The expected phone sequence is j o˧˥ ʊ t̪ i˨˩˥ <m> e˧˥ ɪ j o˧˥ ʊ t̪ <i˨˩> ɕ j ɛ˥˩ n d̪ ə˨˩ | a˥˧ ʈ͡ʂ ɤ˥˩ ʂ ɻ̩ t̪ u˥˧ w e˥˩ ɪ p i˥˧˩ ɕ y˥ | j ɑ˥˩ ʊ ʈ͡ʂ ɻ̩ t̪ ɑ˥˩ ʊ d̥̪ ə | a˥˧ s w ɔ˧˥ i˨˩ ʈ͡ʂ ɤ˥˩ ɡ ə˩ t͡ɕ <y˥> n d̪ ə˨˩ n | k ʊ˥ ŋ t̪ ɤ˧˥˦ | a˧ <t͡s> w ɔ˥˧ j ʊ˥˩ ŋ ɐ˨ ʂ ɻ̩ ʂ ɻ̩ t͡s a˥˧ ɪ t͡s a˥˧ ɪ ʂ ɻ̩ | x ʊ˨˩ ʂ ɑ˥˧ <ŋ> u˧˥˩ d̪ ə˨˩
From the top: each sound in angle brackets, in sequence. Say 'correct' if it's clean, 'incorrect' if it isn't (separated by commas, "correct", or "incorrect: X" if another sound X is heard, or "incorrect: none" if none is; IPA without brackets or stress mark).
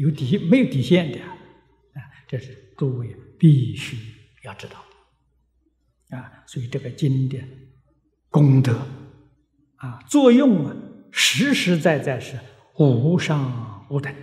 correct, correct, incorrect: i˥, correct, correct